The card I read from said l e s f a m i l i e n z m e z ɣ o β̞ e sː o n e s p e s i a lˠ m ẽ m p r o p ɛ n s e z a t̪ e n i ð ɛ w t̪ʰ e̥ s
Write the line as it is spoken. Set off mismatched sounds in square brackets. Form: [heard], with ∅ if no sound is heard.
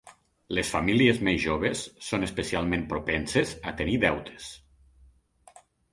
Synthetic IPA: l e s f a m i l i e [∅] z m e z [ʒ] o β̞ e sː o n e s p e s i a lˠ m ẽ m p [ɾ] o p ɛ n s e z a t̪ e n i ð ɛ w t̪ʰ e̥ s